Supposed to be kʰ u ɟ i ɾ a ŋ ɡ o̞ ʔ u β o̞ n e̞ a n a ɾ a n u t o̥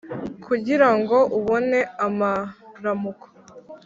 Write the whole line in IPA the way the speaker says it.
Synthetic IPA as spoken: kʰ u ɟ i ɾ a ŋ ɡ o̞ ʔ u β o̞ n e̞ a m a ɾ a m u k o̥